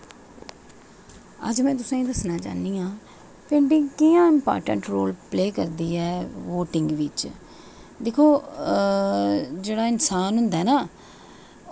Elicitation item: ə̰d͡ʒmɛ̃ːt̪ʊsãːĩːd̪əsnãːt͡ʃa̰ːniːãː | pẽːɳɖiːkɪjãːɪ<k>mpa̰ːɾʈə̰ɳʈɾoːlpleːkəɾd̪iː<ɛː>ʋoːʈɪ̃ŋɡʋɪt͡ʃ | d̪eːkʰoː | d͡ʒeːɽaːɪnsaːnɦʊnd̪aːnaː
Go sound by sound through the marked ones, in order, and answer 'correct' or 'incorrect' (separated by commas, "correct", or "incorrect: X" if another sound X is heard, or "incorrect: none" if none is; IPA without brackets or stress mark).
incorrect: none, correct